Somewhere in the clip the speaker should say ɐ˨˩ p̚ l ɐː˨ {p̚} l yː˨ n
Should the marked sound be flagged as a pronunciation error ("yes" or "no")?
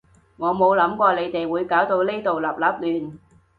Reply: no